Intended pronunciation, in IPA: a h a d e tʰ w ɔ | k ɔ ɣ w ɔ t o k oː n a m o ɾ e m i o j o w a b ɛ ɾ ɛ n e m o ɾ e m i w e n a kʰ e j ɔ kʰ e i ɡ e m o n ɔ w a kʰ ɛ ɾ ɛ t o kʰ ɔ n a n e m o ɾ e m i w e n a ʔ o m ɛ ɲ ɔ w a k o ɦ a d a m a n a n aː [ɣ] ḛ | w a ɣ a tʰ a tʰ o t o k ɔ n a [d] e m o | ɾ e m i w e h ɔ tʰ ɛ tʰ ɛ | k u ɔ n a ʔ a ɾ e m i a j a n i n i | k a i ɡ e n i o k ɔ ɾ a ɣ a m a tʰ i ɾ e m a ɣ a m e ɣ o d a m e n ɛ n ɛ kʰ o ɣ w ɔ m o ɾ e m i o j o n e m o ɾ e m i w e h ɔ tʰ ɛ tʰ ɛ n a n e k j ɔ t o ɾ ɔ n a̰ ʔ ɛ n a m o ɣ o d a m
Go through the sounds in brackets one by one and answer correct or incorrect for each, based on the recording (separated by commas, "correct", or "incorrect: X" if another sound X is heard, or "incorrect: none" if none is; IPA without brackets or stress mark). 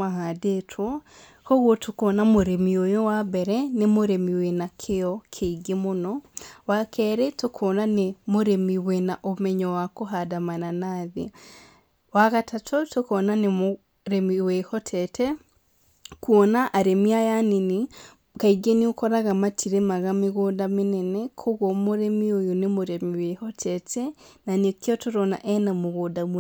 incorrect: ð, incorrect: n